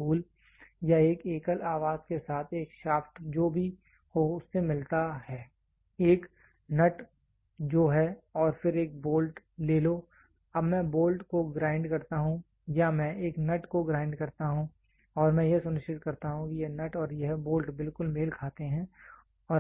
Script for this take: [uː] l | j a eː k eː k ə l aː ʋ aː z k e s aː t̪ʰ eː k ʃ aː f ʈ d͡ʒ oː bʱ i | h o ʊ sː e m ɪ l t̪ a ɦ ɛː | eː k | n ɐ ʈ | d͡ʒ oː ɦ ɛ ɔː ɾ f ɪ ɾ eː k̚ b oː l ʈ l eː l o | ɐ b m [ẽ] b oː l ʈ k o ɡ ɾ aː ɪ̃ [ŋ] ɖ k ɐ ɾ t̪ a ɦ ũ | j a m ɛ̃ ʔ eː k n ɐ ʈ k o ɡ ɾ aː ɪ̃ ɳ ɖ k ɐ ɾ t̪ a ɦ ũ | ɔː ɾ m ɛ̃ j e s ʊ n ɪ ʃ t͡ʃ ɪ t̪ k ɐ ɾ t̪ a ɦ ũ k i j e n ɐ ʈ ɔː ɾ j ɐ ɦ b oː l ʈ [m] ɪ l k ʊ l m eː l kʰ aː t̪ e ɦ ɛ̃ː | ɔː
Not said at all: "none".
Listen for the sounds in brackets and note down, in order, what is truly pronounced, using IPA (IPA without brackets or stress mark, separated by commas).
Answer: uː, ɛ̃, ɳ, b